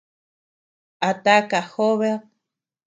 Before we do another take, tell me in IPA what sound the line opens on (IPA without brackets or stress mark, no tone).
a